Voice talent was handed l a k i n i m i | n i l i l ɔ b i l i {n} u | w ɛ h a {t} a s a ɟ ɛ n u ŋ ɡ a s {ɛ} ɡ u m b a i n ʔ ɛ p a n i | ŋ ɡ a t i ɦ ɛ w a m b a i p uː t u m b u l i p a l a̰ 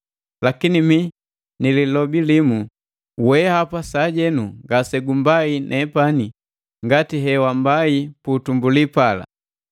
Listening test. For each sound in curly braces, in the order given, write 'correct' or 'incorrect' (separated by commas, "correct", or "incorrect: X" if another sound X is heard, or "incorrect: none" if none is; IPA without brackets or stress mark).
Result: incorrect: m, incorrect: p, correct